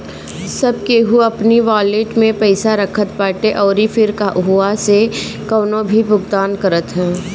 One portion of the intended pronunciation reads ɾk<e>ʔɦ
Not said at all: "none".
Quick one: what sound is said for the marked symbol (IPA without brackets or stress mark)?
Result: a